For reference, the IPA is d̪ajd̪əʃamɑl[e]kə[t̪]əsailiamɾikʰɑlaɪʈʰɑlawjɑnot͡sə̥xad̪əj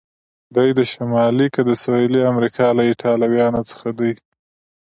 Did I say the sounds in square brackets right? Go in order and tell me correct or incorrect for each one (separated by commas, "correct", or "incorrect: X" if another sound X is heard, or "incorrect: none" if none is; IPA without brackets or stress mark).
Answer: incorrect: i, incorrect: d̪